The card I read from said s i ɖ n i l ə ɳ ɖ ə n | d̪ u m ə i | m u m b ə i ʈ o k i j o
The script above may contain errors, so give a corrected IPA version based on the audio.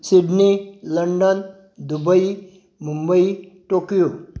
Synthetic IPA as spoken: s i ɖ n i l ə ɳ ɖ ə n | d̪ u b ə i | m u m b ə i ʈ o k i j o